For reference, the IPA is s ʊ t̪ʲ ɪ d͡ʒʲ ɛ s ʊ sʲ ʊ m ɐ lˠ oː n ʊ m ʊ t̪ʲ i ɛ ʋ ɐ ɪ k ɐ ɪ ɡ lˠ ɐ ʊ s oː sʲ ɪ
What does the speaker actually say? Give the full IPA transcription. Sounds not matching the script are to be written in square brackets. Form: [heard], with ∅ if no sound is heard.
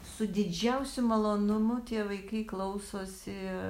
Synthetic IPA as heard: s ʊ [d̪ʲ] ɪ d͡ʒʲ ɛ [∅] ʊ sʲ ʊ m ɐ lˠ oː n ʊ m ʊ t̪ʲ i ɛ ʋ ɐ ɪ k ɐ ɪ [k] lˠ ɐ ʊ s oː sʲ ɪ